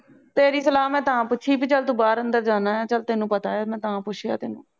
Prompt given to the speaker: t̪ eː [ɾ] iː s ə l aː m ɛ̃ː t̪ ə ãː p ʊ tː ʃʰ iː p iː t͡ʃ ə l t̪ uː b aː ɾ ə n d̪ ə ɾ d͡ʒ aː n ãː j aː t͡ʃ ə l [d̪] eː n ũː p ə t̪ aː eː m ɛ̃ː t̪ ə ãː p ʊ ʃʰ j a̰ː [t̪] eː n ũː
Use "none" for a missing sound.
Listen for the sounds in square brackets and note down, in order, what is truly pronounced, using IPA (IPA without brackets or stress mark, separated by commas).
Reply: ɾ, t̪, t̪